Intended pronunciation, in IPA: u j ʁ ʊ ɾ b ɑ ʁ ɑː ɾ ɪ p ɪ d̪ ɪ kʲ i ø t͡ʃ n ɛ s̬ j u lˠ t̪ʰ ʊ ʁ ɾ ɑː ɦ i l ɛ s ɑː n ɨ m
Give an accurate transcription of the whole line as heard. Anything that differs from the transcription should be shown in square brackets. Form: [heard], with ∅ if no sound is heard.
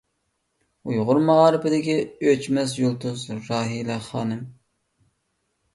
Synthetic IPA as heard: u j ʁ ʊ ɾ [m] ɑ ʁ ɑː ɾ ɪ p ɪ d̪ ɪ kʲ i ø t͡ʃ [m] ɛ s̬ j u lˠ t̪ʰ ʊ [z] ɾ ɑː ɦ i l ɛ [χ] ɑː n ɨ m